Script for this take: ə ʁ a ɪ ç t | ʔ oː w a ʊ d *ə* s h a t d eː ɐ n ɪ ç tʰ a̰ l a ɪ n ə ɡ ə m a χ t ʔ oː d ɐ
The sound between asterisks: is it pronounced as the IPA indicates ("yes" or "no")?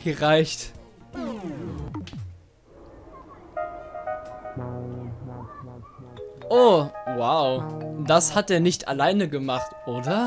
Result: no